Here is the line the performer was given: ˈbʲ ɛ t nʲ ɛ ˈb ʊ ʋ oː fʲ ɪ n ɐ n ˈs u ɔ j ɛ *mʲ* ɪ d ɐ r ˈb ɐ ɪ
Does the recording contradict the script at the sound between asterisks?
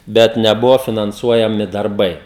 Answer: no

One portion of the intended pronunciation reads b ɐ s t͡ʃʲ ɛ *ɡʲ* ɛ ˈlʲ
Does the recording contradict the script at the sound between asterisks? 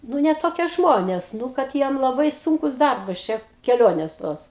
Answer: yes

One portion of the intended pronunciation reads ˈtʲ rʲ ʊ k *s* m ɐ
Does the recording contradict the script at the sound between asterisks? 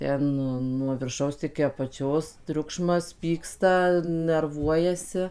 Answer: yes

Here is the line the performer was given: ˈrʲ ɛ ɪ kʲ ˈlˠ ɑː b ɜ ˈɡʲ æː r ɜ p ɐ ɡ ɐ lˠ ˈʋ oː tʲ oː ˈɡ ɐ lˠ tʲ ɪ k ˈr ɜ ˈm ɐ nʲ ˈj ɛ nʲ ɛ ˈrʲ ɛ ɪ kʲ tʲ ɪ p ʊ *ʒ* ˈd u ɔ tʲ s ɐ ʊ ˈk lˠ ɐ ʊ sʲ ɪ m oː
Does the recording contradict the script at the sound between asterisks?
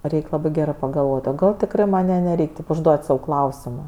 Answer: no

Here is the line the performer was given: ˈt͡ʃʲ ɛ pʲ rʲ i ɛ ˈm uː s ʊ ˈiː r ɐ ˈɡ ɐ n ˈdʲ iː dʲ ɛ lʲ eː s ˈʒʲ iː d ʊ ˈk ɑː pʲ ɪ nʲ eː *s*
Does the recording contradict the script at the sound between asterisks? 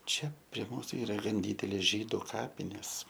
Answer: no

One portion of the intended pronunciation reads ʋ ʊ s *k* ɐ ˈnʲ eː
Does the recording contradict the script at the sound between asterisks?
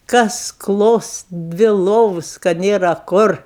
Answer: no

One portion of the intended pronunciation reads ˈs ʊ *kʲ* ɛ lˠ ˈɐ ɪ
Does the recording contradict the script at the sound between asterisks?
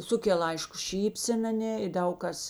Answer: no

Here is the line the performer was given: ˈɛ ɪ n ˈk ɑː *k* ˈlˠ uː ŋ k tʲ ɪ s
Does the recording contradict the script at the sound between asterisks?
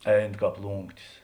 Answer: yes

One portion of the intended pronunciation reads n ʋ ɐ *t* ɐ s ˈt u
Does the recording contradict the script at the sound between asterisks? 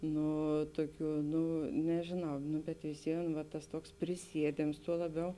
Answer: no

